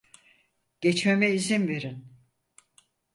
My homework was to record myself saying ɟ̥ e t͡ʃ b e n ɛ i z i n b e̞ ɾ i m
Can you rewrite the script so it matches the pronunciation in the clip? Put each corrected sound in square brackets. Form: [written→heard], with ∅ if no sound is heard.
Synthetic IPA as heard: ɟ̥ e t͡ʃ [b→m] e [n→m] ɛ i z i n [b→v] e̞ ɾ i [m→n]